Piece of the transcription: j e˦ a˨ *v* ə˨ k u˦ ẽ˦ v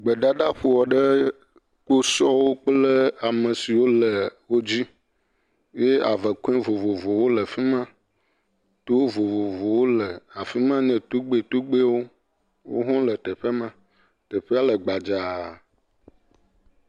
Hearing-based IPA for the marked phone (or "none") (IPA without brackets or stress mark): v